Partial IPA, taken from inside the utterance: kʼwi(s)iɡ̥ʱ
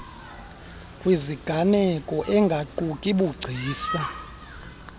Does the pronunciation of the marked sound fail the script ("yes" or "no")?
yes